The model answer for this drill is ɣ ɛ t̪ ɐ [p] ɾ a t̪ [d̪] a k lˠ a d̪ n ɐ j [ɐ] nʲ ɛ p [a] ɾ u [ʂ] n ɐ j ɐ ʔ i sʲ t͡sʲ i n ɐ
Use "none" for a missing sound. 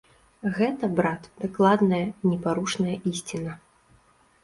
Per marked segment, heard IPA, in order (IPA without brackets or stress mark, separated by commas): b, d̪, ɐ, a, ʂ